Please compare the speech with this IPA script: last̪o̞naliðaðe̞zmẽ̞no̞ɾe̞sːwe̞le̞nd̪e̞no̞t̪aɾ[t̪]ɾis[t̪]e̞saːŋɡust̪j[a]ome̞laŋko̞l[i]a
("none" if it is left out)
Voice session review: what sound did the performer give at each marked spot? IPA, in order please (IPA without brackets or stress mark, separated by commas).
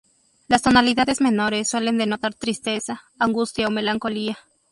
t̪, t̪, a, i